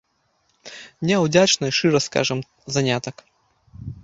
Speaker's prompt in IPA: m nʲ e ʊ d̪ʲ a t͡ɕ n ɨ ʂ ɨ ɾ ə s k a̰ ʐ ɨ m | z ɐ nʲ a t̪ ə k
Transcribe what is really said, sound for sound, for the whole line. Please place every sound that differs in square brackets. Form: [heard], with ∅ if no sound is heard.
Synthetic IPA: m nʲ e ʊ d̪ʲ a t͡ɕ n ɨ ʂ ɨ ɾ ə s k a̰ ʐ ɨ m | z ɐ nʲ a t̪ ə k